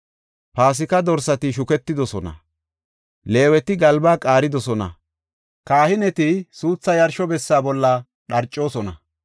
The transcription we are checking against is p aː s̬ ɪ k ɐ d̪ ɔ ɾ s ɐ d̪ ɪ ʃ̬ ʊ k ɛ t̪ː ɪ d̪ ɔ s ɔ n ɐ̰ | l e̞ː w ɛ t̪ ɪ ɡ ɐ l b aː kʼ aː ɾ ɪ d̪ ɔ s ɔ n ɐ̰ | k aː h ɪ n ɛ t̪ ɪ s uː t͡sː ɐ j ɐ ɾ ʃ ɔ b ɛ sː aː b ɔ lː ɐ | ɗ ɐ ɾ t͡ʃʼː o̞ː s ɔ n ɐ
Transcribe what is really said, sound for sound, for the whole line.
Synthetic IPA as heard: p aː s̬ ɪ k ɐ d̪ ɔ ɾ s ɐ t̪ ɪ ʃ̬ ʊ k ɛ t̪ː ɪ d̪ ɔ s ɔ n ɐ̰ | l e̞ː w ɛ t̪ ɪ ɡ ɐ l b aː kʼ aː ɾ ɪ d̪ ɔ s ɔ n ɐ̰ | k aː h ɪ n ɛ t̪ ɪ s uː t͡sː ɐ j ɐ ɾ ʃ ɔ b ɛ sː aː b ɔ lː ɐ | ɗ ɐ ɾ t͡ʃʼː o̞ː s ɔ n ɐ